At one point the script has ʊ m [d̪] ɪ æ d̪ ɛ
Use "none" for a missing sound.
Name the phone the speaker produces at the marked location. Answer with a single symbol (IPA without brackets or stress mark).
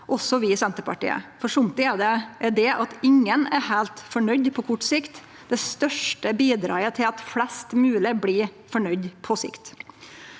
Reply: t̪